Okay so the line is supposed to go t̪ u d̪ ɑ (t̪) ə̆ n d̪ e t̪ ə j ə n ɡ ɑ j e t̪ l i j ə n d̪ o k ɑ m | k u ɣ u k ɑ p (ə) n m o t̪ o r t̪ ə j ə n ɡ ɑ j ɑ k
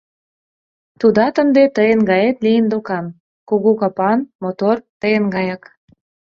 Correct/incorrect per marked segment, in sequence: correct, incorrect

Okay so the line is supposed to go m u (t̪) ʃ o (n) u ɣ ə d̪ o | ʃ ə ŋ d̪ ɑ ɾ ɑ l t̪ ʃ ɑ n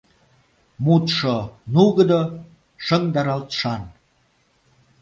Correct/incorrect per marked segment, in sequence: correct, correct

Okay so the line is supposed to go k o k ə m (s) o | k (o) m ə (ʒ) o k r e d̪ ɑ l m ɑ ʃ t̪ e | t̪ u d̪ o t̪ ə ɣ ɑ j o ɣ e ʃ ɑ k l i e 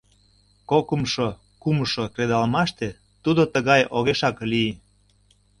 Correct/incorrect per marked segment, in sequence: incorrect, incorrect, incorrect

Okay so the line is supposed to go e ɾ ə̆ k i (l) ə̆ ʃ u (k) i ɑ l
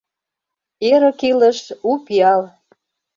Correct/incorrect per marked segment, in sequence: correct, incorrect

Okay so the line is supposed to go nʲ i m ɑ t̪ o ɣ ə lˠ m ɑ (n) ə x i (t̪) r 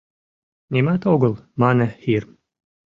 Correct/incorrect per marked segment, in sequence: correct, incorrect

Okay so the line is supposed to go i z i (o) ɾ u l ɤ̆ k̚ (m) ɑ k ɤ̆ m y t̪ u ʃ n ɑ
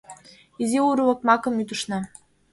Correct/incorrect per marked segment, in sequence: incorrect, correct

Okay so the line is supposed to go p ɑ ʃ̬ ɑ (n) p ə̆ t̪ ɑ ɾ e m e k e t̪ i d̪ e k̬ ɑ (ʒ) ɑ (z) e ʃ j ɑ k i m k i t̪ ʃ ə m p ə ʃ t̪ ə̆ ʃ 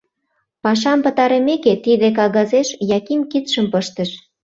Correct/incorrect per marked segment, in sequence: incorrect, incorrect, correct

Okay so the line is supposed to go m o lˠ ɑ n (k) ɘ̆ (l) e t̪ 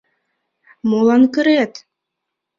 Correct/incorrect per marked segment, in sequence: correct, incorrect

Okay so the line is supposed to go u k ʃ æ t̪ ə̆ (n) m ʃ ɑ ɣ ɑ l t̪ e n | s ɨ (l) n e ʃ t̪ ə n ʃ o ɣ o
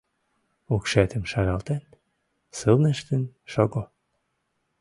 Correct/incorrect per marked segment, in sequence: incorrect, correct

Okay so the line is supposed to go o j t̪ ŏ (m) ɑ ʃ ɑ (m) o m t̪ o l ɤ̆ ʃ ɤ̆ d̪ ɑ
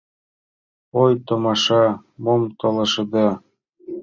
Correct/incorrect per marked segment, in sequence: correct, correct

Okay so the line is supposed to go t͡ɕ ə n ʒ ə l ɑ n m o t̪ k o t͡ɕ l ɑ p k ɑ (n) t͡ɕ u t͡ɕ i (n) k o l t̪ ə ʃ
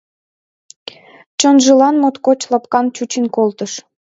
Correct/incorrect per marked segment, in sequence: correct, correct

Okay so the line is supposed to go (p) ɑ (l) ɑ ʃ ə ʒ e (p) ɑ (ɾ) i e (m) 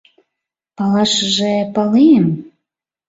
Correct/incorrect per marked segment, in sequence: correct, correct, correct, incorrect, correct

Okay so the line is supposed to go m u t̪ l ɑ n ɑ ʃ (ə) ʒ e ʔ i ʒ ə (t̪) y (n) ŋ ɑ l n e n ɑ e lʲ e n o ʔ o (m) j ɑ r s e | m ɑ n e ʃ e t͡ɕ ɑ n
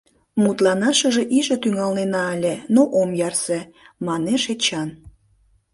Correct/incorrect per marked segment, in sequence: correct, correct, incorrect, correct

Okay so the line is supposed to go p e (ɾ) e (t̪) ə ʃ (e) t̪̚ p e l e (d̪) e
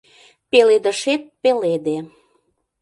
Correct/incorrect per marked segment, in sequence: incorrect, incorrect, correct, correct

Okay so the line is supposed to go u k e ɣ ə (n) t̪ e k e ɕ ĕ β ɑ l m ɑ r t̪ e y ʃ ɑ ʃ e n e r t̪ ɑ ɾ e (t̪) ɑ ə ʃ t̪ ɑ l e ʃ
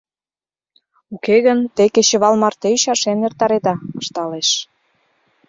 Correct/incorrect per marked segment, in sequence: correct, incorrect

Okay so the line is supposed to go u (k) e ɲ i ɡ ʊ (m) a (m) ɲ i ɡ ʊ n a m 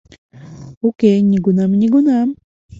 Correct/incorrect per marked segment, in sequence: correct, incorrect, correct

